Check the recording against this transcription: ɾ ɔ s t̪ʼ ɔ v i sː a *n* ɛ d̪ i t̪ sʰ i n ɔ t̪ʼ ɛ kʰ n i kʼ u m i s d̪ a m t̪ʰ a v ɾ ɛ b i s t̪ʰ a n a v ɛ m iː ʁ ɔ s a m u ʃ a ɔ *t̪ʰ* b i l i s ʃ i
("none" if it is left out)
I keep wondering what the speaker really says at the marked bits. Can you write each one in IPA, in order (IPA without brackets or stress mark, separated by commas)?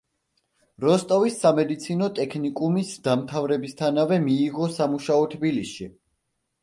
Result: m, t̪ʰ